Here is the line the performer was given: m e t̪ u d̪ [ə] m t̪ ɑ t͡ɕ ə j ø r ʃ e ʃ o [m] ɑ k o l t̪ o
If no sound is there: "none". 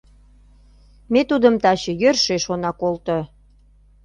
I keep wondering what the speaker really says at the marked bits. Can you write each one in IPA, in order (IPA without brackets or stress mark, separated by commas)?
ə, n